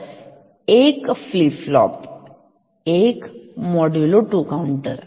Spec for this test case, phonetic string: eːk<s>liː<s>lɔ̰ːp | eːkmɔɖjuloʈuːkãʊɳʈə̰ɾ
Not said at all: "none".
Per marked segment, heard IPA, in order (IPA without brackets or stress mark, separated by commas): f, f